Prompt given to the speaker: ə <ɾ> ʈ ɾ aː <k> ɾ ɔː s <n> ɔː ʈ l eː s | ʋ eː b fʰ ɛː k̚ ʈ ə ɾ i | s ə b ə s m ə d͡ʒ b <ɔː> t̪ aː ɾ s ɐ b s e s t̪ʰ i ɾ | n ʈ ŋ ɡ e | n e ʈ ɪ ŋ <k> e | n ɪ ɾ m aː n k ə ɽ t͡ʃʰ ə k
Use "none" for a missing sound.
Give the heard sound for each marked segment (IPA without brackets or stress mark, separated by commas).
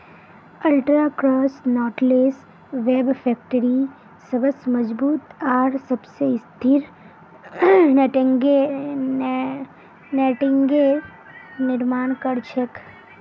l, k, n, uː, ɡ